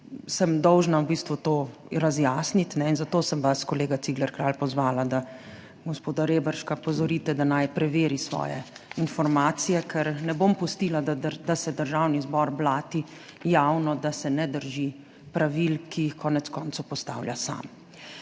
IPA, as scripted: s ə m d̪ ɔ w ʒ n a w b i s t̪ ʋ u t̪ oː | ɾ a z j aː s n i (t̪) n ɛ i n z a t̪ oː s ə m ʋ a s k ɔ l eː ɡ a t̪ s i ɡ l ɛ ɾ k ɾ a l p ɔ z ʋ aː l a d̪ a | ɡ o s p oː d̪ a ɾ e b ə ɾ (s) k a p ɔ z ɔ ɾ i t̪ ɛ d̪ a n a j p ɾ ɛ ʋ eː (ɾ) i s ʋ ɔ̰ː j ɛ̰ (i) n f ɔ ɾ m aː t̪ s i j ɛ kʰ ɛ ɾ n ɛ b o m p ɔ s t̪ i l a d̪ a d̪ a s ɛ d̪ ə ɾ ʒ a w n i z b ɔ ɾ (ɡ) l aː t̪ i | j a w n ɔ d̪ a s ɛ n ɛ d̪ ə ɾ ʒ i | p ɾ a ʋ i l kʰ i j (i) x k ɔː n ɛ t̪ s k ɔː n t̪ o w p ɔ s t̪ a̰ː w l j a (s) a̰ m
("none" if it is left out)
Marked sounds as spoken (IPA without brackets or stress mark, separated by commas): t̪, ʃ, ɾ, i, b, i, s